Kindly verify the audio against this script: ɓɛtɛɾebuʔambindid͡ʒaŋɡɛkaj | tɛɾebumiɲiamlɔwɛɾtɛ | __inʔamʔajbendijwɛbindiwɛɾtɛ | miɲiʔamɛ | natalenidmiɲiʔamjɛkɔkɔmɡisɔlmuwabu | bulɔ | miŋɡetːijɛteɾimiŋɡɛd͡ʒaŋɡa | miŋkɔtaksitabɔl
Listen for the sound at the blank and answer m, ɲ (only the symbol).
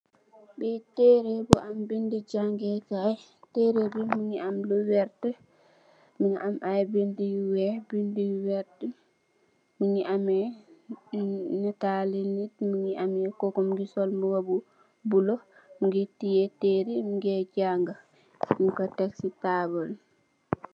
m